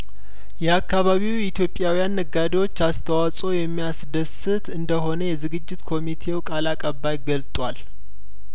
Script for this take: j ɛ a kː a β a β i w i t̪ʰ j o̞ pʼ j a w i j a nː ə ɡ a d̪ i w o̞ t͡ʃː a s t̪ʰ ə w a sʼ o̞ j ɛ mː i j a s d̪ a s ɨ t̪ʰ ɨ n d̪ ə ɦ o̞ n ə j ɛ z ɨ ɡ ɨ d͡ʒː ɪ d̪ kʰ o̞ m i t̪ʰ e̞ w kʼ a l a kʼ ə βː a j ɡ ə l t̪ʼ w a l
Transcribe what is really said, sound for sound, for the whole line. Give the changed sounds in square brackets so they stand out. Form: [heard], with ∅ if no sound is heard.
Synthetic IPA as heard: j ɛ a kː a β a β i w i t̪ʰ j o̞ pʼ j a w i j a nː ə ɡ a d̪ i w o̞ t͡ʃː a s t̪ʰ ə w a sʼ o̞ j ɛ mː i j a s d̪ [ə] s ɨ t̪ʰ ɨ n d̪ ə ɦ o̞ n ə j ɛ z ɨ ɡ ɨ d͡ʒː ɪ [t̪] kʰ o̞ m i t̪ʰ e̞ w kʼ a l a kʼ ə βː a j ɡ ə l t̪ʼ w a l

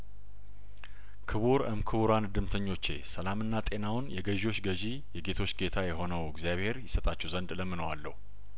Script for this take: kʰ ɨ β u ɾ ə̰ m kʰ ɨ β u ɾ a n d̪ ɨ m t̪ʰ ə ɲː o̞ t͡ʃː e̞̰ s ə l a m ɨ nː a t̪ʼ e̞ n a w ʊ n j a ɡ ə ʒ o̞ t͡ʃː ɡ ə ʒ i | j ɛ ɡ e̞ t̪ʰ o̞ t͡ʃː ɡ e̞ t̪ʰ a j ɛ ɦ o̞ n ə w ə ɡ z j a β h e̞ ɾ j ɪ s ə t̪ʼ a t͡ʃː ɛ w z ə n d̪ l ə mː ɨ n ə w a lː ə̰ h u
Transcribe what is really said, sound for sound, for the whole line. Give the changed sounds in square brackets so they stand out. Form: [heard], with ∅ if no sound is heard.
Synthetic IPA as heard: kʰ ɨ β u ɾ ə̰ m kʰ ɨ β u ɾ a n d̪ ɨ m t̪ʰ ə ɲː o̞ t͡ʃː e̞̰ s ə l a m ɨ nː a t̪ʼ e̞ n a w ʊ n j [ɛ] ɡ ə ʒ o̞ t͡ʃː ɡ ə ʒ i | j ɛ ɡ e̞ t̪ʰ o̞ t͡ʃː ɡ e̞ t̪ʰ a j ɛ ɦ o̞ n ə w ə ɡ z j a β h e̞ ɾ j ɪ s ə t̪ʼ a t͡ʃː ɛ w z ə n d̪ l ə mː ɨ n ə w a lː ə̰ h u

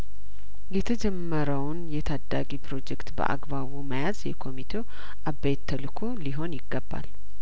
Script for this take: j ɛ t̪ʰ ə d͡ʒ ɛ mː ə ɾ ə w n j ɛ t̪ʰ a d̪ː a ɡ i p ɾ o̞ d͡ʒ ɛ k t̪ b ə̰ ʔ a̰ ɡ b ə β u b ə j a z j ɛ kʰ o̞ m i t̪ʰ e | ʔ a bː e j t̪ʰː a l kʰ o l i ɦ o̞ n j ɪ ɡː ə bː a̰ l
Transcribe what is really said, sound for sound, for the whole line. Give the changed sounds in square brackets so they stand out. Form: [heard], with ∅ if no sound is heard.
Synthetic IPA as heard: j ɛ t̪ʰ ə d͡ʒ ɛ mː ə ɾ ə w n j ɛ t̪ʰ a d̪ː a ɡ i p ɾ o̞ d͡ʒ ɛ k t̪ b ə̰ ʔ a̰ ɡ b [a] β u [m] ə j a z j ɛ kʰ o̞ m i t̪ʰ e | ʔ a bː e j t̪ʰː [ə] l kʰ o l i ɦ o̞ n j ɪ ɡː ə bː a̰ l

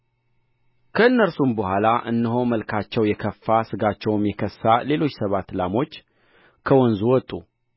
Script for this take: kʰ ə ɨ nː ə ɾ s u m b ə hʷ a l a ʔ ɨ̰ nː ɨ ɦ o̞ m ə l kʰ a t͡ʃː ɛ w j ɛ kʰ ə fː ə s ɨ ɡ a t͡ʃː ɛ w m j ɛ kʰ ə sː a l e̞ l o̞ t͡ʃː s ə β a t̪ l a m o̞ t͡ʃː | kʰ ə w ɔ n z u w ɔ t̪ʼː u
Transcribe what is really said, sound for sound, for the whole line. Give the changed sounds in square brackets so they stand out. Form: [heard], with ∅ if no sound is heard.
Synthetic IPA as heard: kʰ ə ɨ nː ə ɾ s u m b ə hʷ a l a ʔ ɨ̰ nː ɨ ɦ o̞ m ə l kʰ a t͡ʃː ɛ w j ɛ kʰ ə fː [a] s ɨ ɡ a t͡ʃː ɛ w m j ɛ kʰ ə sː a l e̞ l o̞ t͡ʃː s ə β a t̪ l a m o̞ t͡ʃː | kʰ ə w ɔ n z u w ɔ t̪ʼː u

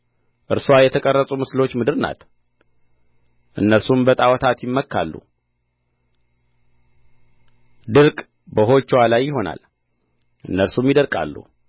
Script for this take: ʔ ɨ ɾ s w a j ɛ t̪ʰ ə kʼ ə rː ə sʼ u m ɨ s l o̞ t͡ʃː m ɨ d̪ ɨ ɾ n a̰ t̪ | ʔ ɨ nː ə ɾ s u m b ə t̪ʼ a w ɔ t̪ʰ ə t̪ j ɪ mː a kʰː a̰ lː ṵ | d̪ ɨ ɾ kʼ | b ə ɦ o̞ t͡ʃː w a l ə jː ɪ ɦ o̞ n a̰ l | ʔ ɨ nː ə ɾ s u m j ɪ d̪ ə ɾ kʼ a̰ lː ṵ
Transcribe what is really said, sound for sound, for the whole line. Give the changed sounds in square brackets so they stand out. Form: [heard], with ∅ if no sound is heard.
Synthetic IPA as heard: ʔ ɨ ɾ s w a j ɛ t̪ʰ ə kʼ ə rː ə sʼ u m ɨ s l o̞ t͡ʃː m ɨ d̪ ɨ ɾ n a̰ t̪ | ʔ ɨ nː ə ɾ s u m b ə t̪ʼ a w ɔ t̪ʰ [a] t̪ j ɪ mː [ə] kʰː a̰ lː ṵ | d̪ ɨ ɾ kʼ | b ə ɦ o̞ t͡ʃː w a l [a] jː ɪ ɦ o̞ n a̰ l | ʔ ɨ nː ə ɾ s u m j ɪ d̪ ə ɾ kʼ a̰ lː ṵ

